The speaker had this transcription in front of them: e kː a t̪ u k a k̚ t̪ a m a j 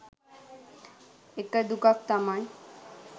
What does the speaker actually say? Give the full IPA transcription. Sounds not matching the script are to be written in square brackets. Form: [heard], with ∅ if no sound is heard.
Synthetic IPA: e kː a [d̪] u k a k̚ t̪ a m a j